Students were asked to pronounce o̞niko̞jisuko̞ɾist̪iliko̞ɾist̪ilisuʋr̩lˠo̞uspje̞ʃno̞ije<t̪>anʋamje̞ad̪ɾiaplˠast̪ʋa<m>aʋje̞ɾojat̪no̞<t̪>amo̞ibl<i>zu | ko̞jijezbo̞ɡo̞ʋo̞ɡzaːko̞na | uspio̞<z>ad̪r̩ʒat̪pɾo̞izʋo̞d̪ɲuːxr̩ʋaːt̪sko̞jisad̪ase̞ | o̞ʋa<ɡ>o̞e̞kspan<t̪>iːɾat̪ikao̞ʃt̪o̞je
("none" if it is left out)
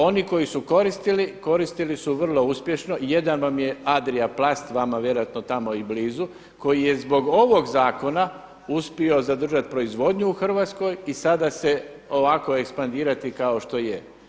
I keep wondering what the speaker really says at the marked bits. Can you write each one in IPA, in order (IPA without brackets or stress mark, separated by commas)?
d̪, m, t̪, iː, z, k, d̪